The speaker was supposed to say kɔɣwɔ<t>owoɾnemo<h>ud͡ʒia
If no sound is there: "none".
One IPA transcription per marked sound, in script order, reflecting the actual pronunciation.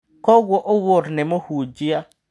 ʔ, h

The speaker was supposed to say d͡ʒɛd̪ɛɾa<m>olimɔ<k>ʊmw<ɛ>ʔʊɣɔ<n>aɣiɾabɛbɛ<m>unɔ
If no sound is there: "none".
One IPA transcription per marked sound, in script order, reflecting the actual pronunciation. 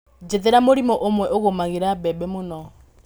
m, ʔ, ɛ, m, m

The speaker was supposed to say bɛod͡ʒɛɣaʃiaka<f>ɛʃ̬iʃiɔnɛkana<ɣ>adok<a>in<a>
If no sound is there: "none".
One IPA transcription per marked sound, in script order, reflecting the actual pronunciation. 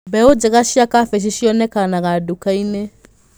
f, ɣ, a, e

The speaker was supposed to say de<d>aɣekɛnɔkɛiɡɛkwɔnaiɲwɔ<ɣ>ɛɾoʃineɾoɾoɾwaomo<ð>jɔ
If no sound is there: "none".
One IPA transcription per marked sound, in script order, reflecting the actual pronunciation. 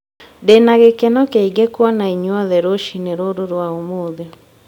n, ð, ð

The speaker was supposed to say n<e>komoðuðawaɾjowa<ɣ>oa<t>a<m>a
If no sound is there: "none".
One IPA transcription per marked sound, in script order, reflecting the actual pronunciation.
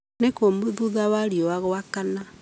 e, ɣ, k, n

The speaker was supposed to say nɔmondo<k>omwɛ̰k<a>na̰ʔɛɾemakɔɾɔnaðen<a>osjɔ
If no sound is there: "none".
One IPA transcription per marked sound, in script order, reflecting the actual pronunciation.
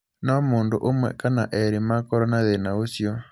ʔ, a, a

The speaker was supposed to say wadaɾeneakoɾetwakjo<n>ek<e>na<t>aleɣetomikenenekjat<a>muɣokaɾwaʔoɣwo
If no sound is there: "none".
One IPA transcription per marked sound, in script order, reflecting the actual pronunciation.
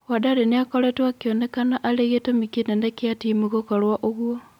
n, a, ʔ, i

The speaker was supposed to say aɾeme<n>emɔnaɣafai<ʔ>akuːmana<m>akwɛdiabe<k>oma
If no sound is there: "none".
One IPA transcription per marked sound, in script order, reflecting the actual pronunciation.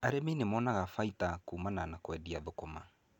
n, t, n, k

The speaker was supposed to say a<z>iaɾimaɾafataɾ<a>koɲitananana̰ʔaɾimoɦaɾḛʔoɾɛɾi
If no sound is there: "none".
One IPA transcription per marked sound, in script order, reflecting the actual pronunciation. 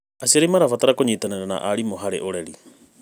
s, a

